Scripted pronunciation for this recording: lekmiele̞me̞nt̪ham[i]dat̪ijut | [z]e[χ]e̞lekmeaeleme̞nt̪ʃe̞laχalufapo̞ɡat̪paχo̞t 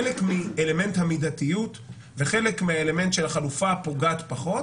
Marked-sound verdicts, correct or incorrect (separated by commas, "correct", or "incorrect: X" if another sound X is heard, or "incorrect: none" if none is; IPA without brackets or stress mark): correct, incorrect: v, correct